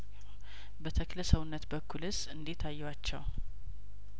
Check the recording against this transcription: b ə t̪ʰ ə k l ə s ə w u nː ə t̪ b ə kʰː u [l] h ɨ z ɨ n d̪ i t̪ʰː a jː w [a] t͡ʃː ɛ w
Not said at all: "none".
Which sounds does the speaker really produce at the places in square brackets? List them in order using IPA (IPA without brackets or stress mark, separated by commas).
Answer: l, a